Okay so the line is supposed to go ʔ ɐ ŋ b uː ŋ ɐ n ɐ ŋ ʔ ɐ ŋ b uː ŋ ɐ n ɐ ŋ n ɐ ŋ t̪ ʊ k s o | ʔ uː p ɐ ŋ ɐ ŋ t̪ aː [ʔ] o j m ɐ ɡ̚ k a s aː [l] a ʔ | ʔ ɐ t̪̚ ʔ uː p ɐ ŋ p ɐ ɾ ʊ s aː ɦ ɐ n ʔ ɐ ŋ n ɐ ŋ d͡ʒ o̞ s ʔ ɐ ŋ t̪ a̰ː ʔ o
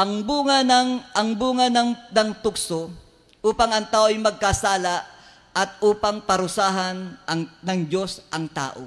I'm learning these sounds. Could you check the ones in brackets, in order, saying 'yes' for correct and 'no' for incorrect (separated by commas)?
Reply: yes, yes